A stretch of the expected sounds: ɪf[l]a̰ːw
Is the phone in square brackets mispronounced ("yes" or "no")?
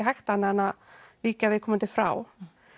yes